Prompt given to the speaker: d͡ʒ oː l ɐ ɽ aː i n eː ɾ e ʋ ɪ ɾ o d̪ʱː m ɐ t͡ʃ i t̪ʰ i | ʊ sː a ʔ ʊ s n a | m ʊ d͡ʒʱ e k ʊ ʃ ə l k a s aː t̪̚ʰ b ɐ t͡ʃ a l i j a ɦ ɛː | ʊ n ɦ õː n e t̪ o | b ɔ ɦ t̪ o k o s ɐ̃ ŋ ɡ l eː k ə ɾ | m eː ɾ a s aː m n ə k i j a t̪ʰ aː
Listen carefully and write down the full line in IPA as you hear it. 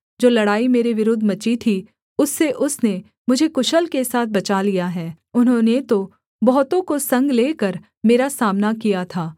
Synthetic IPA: d͡ʒ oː l ɐ ɽ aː i m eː ɾ e ʋ ɪ ɾ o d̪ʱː m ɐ t͡ʃ i t̪ʰ i | ʊ sː e ʔ ʊ s n e | m ʊ d͡ʒʱ e k ʊ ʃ ə l k e s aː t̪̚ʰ b ɐ t͡ʃ a l i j a ɦ ɛː | ʊ n ɦ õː n e t̪ o | b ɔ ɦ t̪ õ k o s ɐ̃ ŋ ɡ l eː k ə ɾ | m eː ɾ a s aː m n a k i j a t̪ʰ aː